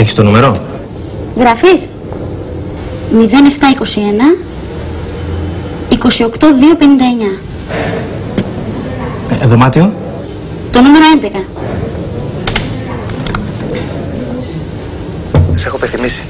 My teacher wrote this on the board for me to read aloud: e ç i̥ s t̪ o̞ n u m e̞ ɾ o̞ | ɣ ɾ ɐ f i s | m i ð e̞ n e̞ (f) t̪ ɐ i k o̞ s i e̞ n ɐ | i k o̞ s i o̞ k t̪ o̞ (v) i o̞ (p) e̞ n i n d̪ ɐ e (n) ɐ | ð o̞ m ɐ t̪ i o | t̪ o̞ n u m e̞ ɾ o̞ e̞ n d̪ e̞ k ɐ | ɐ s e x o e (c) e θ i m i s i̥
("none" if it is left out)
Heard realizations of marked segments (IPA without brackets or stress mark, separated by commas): f, ð, p, ɲ, p